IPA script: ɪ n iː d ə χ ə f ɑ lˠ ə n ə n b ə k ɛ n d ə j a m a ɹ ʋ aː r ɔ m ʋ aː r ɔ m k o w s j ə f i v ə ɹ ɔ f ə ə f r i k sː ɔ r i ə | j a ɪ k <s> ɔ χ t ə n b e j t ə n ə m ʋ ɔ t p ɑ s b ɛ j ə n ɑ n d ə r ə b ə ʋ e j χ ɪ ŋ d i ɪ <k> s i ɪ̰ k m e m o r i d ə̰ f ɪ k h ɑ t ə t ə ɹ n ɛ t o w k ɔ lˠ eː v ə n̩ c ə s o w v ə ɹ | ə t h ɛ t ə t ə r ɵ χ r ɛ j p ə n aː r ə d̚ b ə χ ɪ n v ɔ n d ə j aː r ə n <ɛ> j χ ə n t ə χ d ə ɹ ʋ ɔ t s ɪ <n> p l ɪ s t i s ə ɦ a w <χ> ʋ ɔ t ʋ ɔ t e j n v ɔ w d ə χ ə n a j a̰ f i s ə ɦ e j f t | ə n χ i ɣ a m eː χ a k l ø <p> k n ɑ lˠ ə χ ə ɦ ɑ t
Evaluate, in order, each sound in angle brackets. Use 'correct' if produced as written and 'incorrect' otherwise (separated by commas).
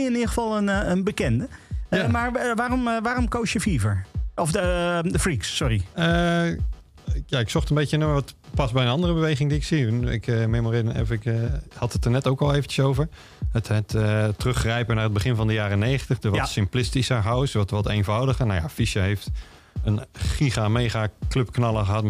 correct, correct, incorrect, incorrect, incorrect, correct